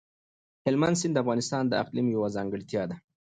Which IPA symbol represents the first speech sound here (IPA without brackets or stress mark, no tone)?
h